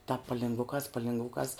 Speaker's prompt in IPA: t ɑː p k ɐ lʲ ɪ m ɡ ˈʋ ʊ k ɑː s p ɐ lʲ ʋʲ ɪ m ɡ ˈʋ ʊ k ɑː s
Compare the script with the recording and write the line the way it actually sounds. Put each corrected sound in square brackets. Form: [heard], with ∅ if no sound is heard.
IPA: t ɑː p [p] ɐ lʲ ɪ [ŋ] ɡ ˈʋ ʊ k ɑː s p ɐ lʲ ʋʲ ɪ [ŋ] ɡ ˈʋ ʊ k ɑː s